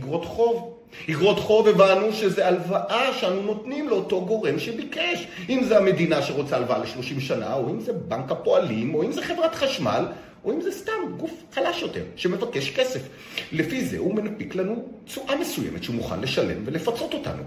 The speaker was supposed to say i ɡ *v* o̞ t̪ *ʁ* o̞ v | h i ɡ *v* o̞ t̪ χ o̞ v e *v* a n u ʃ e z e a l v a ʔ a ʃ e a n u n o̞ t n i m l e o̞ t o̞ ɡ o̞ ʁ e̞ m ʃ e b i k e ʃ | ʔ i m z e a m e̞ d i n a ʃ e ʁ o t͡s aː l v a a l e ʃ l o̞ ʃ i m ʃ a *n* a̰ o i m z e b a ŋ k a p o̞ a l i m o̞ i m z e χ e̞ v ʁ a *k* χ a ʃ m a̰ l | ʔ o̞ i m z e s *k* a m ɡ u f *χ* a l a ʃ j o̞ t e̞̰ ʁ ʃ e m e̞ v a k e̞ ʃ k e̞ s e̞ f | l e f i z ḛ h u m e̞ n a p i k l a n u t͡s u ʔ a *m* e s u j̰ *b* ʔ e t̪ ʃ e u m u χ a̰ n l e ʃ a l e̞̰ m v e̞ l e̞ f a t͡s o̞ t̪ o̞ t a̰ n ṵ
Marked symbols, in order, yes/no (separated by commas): no, no, no, yes, yes, no, no, yes, yes, no